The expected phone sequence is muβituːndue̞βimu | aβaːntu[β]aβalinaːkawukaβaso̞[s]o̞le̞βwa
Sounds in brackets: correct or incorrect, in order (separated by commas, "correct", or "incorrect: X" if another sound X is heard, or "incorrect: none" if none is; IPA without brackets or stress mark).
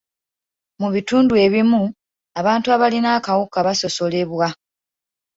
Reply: incorrect: none, correct